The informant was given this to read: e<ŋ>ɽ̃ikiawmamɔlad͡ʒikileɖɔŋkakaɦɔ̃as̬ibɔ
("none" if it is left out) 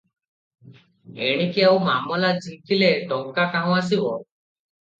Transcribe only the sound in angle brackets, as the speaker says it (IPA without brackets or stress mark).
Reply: none